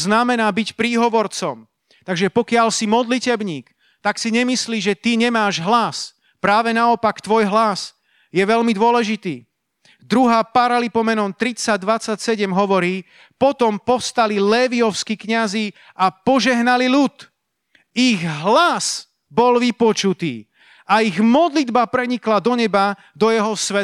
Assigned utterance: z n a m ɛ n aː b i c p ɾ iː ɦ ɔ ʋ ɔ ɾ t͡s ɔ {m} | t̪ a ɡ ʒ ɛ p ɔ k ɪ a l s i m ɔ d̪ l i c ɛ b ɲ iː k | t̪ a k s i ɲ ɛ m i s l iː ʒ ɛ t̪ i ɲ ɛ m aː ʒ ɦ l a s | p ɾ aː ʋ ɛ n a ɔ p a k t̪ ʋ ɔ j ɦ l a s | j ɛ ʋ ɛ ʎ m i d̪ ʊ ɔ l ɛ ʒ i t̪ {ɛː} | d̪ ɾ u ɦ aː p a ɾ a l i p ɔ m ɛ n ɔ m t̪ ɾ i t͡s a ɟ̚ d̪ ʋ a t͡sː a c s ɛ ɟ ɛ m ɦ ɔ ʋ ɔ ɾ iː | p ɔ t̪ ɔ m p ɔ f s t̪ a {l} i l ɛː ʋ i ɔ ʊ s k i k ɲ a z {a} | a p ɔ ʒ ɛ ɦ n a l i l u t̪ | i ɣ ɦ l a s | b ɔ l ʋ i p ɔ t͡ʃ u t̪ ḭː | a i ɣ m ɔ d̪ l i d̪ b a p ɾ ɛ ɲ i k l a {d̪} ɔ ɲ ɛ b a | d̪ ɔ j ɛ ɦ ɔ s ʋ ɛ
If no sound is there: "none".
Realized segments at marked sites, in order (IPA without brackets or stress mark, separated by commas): m, iː, l, i, d̪